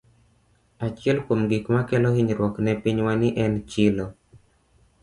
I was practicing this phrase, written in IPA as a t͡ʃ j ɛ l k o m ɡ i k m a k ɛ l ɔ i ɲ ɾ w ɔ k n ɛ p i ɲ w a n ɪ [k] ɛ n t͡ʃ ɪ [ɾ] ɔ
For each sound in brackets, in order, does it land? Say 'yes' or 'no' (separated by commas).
no, no